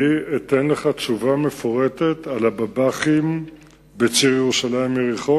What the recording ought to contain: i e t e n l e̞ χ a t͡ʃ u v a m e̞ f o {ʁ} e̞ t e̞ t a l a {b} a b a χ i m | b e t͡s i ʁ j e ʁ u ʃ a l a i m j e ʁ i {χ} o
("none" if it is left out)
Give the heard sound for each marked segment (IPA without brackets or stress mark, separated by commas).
ʁ, b, χ